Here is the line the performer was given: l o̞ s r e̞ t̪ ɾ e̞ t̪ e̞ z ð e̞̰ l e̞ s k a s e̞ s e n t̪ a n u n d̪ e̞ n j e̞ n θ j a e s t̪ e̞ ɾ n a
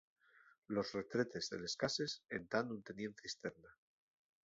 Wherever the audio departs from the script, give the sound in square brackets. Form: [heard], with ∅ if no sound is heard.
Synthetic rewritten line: l o̞ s r e̞ t̪ ɾ e̞ t̪ e̞ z ð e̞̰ l e̞ s k a s e̞ s e n t̪ a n u n [t̪] e̞ n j e̞ n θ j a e s t̪ e̞ ɾ n a